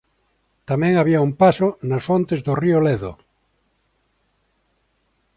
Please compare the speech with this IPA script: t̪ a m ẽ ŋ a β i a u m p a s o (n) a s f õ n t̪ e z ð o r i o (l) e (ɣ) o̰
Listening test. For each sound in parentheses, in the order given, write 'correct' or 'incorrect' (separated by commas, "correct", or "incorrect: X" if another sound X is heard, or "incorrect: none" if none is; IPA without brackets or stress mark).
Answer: correct, correct, incorrect: ð